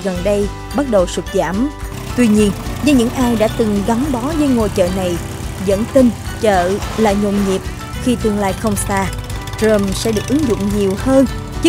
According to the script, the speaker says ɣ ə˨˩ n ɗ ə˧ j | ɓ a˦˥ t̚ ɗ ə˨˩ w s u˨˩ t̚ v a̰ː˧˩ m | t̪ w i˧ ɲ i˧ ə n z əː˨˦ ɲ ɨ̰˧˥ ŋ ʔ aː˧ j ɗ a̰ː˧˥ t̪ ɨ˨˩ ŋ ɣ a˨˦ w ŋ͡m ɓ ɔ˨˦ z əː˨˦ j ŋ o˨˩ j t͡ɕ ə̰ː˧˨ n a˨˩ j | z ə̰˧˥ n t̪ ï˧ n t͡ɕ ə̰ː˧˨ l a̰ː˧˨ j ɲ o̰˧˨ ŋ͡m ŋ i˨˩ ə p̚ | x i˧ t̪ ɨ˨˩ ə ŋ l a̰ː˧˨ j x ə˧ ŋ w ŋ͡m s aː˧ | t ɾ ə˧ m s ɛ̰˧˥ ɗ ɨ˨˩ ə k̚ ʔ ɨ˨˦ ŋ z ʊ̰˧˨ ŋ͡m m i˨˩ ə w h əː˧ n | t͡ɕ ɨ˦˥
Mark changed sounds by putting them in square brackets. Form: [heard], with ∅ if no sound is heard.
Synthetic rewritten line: ɣ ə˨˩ n ɗ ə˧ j | ɓ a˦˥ t̚ ɗ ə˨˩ w s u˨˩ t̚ [z] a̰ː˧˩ m | t̪ w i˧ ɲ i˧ ə n z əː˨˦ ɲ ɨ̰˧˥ ŋ ʔ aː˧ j ɗ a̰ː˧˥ t̪ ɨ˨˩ ŋ ɣ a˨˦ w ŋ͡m ɓ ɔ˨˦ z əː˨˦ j ŋ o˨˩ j t͡ɕ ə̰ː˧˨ n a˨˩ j | z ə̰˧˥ n t̪ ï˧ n t͡ɕ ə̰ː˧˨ l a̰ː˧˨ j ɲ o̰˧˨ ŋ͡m [ɲ] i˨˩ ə p̚ | x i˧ t̪ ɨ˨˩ ə ŋ l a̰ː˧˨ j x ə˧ [∅] w ŋ͡m s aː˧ | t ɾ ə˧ m s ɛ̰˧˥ ɗ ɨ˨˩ ə k̚ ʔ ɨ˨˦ ŋ z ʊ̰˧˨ ŋ͡m [ɲ] i˨˩ ə w h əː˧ n | t͡ɕ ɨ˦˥